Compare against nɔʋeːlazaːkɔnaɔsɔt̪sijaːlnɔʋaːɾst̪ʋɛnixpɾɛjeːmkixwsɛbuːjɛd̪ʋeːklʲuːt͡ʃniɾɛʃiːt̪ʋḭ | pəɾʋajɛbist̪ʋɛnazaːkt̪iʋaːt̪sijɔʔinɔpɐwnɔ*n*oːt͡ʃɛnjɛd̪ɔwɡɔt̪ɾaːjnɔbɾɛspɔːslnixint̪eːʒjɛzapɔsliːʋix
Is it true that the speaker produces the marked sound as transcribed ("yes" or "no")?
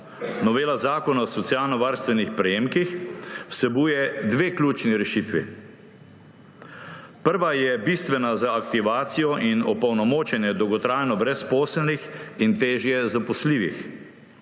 no